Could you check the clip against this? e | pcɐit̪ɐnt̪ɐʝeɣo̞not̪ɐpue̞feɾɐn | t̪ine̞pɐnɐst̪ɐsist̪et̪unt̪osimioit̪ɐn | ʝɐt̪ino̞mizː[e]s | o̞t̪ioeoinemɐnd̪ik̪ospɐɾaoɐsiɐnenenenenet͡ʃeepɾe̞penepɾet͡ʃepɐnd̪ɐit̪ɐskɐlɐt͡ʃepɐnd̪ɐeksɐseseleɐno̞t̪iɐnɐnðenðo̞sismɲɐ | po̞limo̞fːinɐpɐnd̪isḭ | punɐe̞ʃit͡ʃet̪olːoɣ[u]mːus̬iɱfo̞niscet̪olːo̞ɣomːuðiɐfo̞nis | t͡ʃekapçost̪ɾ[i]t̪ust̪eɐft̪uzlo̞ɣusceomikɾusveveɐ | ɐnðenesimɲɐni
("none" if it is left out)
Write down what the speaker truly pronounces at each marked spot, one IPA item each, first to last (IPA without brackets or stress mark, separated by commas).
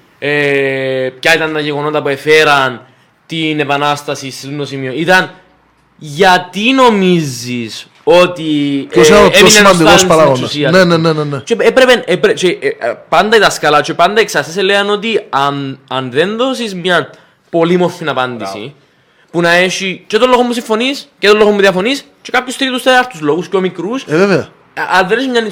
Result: i, o, i